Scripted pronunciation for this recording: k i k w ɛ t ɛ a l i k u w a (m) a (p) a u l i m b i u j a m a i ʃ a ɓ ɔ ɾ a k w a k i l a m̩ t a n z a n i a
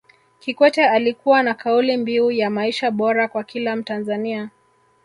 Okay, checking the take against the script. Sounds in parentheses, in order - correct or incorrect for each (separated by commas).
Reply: incorrect, incorrect